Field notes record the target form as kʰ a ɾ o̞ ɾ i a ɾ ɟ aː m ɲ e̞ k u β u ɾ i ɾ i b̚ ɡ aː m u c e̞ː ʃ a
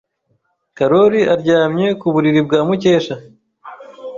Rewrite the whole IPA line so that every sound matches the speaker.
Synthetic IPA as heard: k a ɾ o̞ ɾ i a ɾ ɟ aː m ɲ e̞ k u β u ɾ i ɾ i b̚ ɡ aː m u c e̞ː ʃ a

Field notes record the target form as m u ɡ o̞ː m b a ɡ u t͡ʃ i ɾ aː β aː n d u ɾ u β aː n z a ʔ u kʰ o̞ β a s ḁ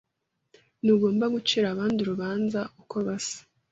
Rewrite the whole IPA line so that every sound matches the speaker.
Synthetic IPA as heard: n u ɡ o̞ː m b a ɡ u t͡ʃ i ɾ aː β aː n d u ɾ u β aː n z a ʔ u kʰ o̞ β a s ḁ

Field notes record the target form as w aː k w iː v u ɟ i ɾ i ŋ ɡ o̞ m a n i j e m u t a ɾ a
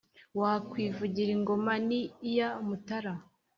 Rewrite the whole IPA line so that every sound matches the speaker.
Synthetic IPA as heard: w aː k w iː v u ɟ i ɾ i ŋ ɡ o̞ m a n i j a m u t a ɾ a

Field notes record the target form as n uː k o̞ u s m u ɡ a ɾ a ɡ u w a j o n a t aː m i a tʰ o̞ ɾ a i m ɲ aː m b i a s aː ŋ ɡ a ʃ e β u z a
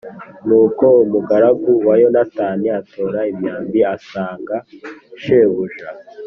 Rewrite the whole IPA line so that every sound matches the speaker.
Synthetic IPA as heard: n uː k o̞ u m u ɡ a ɾ a ɡ u w a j o n a t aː n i a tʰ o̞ ɾ a i m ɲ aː m b i a s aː ŋ ɡ a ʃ e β u ʒ a

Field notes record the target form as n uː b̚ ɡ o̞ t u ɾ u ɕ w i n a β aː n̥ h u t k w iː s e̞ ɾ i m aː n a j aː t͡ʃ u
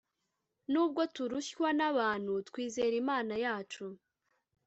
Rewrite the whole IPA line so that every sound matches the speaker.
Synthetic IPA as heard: n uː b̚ ɡ o̞ t u ɾ u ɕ w a n a β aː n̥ h u t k w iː z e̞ ɾ i m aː n a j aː t͡ʃ u

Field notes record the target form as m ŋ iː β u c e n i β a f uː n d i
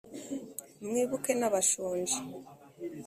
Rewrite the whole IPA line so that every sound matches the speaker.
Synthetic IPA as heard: m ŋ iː β u k e n a β a ʃ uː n d͡ʒ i

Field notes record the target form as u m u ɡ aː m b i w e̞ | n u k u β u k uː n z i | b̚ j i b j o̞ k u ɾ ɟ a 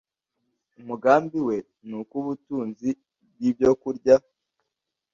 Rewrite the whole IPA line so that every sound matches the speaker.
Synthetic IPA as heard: u m u ɡ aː m b i w e̞ | n u k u β u t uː n z i | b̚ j i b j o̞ k u ɾ ɟ a

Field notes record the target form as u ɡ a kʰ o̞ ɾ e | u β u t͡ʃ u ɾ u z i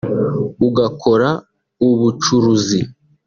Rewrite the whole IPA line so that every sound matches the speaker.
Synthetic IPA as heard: u ɡ a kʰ o̞ ɾ a | u β u t͡ʃ u ɾ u z i

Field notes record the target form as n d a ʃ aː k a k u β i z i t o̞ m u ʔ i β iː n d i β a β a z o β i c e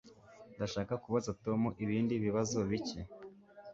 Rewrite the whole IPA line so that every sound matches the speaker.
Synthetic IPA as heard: n d a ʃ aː k a k u β a z a t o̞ m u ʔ i β iː n d i β i β a z o β i c e

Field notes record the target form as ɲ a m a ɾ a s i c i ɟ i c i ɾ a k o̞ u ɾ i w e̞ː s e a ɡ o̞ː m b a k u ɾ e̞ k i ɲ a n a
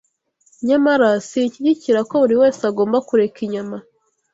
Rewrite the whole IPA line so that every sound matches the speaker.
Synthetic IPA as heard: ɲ a m a ɾ a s i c i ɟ i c i ɾ a k o̞ u ɾ i w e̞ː s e a ɡ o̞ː m b a k u ɾ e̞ k i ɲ a m a

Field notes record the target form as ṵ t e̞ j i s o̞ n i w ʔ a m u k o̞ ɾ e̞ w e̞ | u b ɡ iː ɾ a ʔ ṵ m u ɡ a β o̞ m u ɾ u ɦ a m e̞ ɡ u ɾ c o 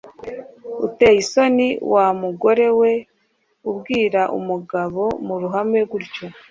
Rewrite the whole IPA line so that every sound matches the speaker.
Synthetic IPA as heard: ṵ t e̞ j i s o̞ n i w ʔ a m u ɡ o̞ ɾ e̞ w e̞ | u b ɡ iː ɾ a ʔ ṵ m u ɡ a β o̞ m u ɾ u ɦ a m e̞ ɡ u ɾ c o

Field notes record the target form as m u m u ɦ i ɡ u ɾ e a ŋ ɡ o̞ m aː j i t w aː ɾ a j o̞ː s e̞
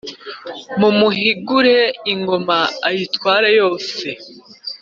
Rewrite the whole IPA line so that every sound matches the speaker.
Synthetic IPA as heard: m u m u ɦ i ɡ u ɾ e i ŋ ɡ o̞ m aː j i t w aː ɾ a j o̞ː s e̞

